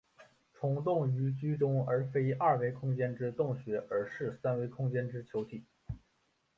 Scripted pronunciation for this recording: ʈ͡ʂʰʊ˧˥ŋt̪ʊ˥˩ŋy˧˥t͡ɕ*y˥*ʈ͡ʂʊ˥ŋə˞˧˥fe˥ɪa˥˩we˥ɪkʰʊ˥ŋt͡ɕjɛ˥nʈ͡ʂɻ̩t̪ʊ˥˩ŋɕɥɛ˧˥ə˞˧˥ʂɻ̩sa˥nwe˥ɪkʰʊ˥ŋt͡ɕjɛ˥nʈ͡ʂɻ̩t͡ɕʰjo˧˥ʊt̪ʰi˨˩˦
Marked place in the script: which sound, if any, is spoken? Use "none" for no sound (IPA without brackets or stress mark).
y˥